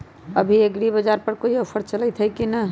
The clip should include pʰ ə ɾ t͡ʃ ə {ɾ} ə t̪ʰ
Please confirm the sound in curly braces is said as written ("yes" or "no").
no